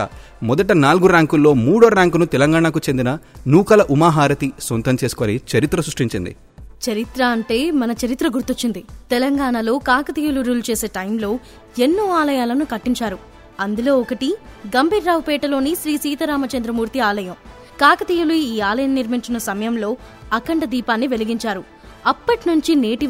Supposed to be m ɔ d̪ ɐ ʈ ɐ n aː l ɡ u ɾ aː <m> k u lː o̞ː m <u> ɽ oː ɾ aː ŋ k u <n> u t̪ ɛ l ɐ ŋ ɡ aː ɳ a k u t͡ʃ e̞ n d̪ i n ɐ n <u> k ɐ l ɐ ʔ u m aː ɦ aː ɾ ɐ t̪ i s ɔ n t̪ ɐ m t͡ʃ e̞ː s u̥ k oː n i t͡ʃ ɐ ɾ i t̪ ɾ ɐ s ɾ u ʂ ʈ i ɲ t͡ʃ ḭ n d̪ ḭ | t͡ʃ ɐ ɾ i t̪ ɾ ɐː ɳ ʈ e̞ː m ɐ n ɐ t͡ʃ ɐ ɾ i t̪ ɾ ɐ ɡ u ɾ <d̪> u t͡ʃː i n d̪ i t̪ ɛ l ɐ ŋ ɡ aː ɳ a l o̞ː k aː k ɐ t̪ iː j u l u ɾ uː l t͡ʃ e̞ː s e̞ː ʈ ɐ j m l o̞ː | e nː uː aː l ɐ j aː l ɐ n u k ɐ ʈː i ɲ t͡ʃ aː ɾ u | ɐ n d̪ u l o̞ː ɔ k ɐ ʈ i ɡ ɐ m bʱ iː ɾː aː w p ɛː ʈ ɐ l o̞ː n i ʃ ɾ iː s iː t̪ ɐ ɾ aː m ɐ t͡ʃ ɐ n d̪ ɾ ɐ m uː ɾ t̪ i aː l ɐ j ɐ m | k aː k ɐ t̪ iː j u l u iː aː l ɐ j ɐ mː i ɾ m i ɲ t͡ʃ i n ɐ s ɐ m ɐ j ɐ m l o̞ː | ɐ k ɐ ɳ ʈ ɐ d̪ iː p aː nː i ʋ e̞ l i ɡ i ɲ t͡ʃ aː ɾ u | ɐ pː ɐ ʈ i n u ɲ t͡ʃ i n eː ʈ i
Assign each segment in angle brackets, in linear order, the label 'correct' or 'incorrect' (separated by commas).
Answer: incorrect, incorrect, correct, incorrect, incorrect